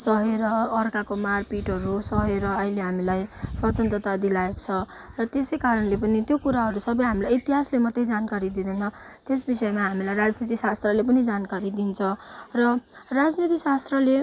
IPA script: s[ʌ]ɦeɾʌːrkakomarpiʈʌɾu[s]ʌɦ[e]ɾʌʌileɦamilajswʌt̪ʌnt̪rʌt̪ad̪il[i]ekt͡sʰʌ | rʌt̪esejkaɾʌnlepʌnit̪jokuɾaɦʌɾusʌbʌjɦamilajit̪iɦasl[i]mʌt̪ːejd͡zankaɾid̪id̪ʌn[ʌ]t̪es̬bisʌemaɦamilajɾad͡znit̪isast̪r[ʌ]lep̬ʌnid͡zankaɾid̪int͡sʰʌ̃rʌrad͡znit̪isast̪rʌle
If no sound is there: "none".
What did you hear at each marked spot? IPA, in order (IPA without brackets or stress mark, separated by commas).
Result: ʌ, s, e, a, e, ʌ, ʌ